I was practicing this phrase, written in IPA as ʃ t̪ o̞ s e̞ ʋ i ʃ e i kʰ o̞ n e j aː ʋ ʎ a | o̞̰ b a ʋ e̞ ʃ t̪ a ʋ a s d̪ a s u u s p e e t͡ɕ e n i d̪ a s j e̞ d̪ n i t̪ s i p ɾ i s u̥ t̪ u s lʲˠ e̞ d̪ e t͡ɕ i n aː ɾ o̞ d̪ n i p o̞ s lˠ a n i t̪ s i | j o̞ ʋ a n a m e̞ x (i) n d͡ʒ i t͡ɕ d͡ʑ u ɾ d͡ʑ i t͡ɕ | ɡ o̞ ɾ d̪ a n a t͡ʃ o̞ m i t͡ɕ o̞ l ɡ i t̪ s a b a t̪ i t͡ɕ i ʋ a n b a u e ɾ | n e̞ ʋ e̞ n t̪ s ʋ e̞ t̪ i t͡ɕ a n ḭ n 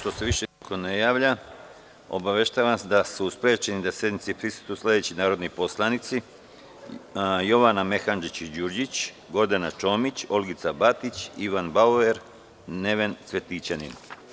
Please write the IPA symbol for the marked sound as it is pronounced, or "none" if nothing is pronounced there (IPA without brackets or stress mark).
a